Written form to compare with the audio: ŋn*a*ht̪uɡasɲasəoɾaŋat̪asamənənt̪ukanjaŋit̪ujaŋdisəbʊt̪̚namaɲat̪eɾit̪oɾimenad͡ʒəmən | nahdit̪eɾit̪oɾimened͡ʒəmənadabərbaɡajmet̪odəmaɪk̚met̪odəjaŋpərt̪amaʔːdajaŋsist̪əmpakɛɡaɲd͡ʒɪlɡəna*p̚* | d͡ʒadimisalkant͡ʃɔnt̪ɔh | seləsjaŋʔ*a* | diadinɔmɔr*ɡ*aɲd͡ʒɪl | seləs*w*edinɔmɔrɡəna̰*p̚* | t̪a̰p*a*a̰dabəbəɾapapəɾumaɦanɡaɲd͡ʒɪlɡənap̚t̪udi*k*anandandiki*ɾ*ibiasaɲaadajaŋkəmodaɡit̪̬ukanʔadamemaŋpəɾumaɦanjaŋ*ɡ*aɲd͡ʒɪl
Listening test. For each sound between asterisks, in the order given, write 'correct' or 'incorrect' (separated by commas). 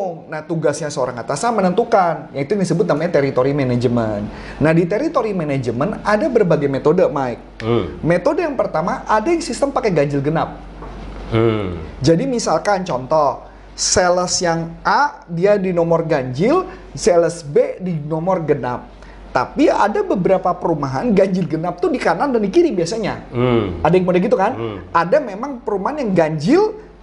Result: correct, correct, correct, correct, incorrect, correct, incorrect, correct, correct, correct